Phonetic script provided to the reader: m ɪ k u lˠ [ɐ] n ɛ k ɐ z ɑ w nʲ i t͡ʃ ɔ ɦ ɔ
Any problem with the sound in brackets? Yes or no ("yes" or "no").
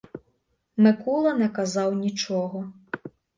no